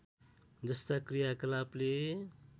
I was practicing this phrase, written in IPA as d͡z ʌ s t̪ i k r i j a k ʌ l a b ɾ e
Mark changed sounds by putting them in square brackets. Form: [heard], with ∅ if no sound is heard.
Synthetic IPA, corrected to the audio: d͡z ʌ s t̪ [a] k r i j a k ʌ l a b [l] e